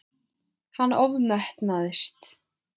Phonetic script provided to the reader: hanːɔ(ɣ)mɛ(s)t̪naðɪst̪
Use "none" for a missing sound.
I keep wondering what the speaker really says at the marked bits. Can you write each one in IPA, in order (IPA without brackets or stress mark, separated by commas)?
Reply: v, h